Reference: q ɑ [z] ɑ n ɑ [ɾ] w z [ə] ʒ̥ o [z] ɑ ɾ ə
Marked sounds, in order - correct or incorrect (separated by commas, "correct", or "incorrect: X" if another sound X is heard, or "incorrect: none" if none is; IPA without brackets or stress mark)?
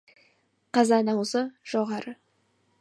correct, incorrect: none, correct, incorrect: ʁ